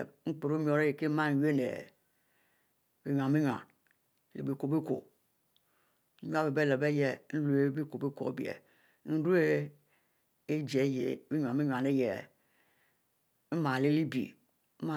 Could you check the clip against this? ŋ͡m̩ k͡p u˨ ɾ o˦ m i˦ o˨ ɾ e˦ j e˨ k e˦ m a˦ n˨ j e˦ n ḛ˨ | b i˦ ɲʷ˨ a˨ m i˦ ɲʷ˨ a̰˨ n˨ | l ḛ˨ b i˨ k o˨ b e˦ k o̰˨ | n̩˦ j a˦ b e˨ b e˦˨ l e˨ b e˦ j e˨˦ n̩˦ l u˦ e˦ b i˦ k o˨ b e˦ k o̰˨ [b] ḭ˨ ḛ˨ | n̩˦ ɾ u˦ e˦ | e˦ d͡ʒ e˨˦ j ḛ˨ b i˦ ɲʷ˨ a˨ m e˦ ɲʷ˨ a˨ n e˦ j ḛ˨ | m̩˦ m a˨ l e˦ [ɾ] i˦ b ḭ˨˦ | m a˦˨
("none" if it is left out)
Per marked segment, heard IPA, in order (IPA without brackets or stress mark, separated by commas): b, l